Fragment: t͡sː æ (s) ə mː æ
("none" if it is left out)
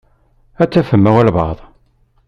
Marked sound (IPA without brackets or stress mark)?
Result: f